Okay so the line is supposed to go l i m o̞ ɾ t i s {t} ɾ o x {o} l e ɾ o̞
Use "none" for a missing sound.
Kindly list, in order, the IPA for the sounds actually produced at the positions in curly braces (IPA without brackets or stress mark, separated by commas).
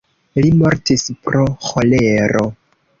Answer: p, o